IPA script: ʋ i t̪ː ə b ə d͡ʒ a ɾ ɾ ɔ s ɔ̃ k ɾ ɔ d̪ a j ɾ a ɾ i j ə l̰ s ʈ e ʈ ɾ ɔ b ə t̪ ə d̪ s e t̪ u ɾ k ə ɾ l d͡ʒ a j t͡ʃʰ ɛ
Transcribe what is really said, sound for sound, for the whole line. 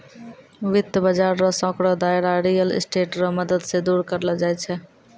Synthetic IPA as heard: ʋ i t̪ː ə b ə d͡ʒ a ɾ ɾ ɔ s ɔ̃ k ɾ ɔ d̪ a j ɾ a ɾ i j ə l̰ s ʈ e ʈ ɾ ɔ m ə d̪ ə d̪ s e d̪ u ɾ k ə ɾ l d͡ʒ a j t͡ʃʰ ɛ